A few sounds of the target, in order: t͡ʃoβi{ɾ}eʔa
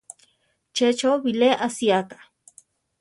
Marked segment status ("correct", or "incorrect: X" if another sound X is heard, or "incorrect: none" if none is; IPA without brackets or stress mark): incorrect: l